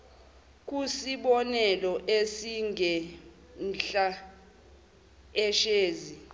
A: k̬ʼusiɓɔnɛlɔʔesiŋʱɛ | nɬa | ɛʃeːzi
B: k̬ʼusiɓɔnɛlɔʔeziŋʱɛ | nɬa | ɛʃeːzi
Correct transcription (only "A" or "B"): A